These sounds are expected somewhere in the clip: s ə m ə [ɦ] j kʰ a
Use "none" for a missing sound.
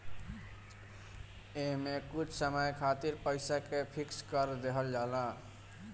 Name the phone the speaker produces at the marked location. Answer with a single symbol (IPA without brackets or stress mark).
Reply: none